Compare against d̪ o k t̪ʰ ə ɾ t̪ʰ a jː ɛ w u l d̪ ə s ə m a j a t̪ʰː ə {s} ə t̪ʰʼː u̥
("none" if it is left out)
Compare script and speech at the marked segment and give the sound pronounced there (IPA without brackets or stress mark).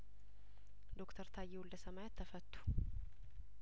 f